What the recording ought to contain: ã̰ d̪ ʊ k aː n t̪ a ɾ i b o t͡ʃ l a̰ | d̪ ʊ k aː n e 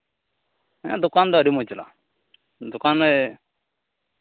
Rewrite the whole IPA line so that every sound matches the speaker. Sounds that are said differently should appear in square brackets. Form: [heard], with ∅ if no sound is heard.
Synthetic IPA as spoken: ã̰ d̪ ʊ k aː n [d̪] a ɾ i [m] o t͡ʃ l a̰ | d̪ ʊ k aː n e